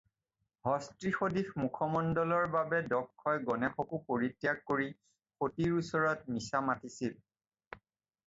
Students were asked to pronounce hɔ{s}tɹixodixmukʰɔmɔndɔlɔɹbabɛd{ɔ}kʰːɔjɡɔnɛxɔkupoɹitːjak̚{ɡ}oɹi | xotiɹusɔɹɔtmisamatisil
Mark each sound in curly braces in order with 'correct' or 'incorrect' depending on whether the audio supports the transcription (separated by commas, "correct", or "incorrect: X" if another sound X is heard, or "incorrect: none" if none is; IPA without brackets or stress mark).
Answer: correct, correct, incorrect: k